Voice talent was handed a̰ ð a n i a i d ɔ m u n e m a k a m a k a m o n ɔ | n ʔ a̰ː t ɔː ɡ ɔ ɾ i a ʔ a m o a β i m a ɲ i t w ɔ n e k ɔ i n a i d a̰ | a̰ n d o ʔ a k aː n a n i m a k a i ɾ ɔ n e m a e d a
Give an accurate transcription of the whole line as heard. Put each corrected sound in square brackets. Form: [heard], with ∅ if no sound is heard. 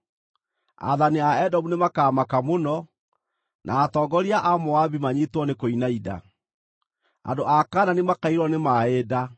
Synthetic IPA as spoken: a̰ ð a n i a [ɛ] d ɔ m u n e m a k a m a k a m o n ɔ | n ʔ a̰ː t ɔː ɡ ɔ ɾ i a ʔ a m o a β i m a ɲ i t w ɔ n e k [o] i n a i d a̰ | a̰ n d o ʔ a k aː n a n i m a k a i ɾ ɔ n e m a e d a